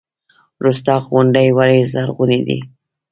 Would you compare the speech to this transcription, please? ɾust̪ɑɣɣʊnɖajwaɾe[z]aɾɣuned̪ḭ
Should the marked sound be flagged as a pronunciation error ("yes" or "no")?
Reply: no